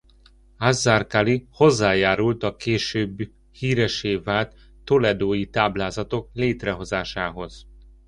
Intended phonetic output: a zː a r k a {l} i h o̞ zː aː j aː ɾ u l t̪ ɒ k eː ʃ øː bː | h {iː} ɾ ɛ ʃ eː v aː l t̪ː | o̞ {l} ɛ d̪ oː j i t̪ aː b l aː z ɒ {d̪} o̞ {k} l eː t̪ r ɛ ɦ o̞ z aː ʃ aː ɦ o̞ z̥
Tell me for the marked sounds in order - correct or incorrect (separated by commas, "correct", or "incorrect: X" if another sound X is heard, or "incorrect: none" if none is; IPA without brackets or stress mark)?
correct, correct, correct, incorrect: t̪, correct